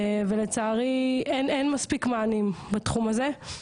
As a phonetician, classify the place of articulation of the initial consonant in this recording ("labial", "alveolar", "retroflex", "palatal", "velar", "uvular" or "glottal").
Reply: labial